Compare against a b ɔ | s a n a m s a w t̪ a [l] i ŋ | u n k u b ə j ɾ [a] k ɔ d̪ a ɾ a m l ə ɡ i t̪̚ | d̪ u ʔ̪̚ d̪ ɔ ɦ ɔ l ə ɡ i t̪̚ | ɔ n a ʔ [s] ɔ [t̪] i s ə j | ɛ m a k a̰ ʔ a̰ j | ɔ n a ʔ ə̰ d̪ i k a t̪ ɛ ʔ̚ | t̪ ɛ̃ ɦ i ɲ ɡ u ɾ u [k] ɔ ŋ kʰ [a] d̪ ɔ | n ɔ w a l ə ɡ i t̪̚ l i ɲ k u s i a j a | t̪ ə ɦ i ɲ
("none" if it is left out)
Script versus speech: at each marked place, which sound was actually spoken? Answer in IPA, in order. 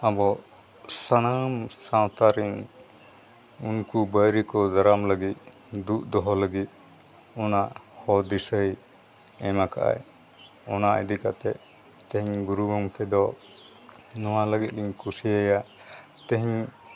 ɾ, i, h, d̪, ɡ, ɛ

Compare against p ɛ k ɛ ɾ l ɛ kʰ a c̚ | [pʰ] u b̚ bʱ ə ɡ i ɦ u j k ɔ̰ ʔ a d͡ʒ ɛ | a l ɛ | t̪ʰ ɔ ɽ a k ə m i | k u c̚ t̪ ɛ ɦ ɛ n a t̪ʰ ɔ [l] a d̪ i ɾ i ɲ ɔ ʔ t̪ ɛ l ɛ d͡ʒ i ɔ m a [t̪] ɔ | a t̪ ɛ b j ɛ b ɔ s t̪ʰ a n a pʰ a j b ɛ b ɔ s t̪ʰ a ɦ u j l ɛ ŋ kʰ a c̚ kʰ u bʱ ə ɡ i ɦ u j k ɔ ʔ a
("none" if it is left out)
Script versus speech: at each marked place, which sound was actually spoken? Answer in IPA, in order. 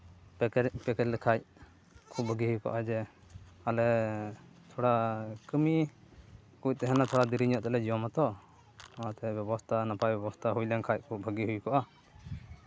kʰ, ɽ, t̪

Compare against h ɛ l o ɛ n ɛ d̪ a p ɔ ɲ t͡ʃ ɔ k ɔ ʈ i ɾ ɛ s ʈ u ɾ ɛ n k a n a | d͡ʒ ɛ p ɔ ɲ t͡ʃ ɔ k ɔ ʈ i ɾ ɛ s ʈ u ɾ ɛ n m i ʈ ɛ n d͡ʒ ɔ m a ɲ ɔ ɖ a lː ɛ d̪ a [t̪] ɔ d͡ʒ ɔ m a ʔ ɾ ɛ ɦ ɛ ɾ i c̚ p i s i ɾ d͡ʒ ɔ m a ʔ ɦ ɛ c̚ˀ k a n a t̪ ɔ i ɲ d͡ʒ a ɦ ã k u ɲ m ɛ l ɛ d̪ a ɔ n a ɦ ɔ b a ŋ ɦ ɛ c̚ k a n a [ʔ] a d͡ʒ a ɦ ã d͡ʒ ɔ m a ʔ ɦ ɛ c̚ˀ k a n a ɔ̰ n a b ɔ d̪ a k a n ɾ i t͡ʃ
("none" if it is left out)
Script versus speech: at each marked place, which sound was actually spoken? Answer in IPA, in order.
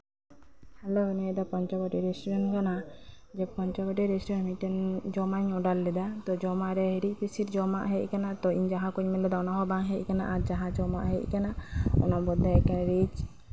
t̪, ʔ

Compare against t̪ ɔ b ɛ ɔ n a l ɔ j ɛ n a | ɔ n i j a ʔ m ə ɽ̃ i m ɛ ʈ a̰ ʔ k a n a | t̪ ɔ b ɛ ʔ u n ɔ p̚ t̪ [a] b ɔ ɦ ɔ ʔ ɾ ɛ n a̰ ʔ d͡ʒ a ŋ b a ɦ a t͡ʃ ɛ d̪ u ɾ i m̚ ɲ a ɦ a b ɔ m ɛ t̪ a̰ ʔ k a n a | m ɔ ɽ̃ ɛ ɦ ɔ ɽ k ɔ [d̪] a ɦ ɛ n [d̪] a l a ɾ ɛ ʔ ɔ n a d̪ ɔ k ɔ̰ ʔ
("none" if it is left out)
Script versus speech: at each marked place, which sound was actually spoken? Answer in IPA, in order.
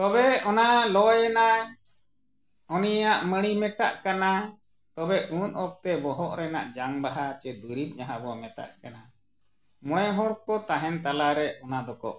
ɛ, t̪, t̪

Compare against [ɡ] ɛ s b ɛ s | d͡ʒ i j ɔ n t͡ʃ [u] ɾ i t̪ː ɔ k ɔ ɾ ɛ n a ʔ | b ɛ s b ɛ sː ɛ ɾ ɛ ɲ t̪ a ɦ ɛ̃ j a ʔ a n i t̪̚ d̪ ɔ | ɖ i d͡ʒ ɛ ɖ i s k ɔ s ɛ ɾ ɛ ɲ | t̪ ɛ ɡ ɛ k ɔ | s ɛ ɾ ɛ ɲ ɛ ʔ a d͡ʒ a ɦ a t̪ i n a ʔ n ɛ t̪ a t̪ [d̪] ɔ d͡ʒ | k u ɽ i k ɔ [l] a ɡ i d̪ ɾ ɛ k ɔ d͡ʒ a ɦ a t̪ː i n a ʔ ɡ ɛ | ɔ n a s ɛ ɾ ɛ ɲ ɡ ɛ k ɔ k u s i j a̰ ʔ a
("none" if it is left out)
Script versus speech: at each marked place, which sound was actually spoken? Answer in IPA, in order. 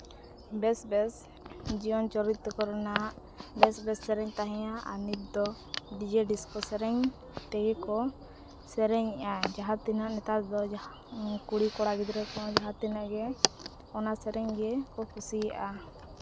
b, ɔ, d̪, ɽ

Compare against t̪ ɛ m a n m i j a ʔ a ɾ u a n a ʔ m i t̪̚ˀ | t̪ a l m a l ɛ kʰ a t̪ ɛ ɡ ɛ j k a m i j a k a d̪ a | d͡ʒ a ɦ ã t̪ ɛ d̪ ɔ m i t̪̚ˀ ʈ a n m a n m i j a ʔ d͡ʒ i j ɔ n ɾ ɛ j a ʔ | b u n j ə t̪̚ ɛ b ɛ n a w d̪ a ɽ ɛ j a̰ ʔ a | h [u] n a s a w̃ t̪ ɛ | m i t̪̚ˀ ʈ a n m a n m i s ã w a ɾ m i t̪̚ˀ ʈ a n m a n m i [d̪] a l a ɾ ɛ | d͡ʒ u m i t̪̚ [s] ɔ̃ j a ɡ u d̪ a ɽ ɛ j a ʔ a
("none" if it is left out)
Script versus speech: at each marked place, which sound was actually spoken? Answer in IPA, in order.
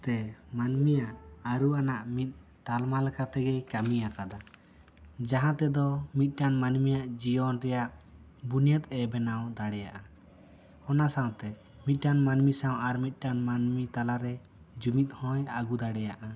ɔ, t̪, h

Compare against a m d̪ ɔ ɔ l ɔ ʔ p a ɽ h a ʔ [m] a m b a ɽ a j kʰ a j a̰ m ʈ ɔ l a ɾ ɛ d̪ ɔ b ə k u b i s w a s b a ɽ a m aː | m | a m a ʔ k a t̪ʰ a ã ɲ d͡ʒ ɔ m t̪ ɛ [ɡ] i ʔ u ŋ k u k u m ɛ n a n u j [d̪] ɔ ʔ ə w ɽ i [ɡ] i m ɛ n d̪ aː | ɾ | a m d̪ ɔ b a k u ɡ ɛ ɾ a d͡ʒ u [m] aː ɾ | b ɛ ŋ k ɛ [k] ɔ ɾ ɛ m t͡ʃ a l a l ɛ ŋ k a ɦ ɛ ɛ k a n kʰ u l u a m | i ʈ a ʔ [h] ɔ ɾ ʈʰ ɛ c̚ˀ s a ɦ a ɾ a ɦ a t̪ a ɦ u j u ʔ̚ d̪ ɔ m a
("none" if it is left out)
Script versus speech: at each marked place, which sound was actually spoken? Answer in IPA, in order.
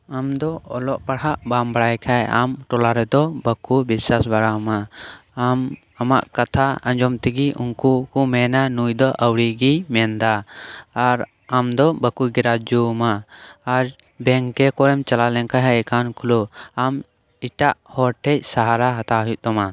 b, ɡ, d̪, ɡ, m, k, h

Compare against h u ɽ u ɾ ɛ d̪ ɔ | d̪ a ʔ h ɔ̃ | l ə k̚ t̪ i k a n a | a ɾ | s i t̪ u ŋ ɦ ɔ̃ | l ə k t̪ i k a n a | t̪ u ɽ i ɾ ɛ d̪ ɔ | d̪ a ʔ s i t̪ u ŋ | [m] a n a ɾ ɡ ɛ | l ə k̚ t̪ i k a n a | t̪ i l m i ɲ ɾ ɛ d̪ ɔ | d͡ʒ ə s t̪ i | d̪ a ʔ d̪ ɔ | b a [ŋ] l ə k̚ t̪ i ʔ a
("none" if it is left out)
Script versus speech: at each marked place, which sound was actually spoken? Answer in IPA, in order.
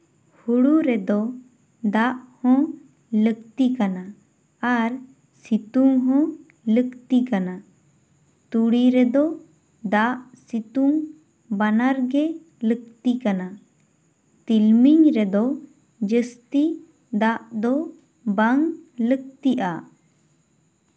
b, ŋ

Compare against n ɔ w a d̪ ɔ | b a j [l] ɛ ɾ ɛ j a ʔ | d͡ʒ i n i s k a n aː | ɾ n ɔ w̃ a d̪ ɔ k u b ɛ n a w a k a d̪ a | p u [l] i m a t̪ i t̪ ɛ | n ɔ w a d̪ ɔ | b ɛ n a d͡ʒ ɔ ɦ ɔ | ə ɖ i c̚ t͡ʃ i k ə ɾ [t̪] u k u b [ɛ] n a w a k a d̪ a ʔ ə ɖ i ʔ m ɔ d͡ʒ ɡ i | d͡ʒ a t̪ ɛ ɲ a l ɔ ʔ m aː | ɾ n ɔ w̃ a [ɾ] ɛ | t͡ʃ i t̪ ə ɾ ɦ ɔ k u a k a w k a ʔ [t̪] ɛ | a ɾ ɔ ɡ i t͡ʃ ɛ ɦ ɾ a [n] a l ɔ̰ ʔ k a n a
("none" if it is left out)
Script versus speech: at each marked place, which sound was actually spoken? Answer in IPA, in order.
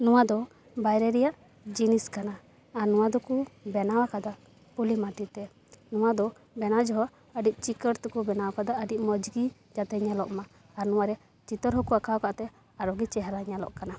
ɾ, l, t̪, ɛ, ɾ, t̪, ɲ

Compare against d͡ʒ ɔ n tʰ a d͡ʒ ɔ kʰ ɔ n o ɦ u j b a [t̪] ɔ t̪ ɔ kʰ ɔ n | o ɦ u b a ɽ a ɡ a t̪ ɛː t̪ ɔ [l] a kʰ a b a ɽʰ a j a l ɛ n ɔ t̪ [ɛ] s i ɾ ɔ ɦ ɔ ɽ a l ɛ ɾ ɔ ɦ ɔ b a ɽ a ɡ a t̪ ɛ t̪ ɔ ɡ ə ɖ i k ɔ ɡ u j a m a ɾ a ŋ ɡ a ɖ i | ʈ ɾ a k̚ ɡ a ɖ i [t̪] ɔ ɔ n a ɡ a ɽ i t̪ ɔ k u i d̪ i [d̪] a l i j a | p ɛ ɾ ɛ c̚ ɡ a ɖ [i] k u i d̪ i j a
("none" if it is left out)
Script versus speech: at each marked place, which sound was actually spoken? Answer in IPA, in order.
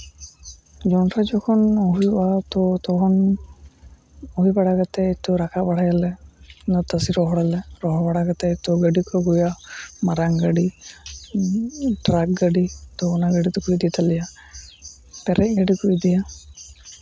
t̪, ɾ, a, t̪, t̪, i

